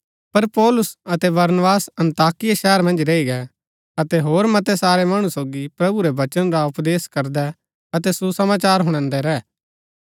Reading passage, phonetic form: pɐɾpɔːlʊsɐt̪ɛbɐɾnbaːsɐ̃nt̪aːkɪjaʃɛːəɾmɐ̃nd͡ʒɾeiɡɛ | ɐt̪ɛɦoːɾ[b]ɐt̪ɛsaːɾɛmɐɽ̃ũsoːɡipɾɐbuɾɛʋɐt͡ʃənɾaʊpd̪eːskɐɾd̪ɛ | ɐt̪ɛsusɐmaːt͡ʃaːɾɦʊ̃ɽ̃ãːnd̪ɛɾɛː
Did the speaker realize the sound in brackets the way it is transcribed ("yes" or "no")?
no